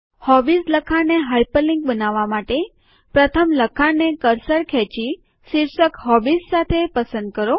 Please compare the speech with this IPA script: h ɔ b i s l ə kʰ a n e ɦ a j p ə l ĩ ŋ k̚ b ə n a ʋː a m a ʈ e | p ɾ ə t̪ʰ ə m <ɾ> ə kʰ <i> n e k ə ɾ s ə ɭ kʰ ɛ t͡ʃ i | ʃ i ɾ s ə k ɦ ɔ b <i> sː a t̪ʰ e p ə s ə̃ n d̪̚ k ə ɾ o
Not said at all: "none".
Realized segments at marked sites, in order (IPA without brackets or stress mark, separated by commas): l, a, i